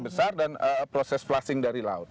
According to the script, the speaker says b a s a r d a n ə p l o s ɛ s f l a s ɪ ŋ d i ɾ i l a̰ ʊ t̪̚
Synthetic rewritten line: b ə s a r d a n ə p ɾ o s ɛ s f l a s ɪ ŋ d a ɾ i l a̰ ʊ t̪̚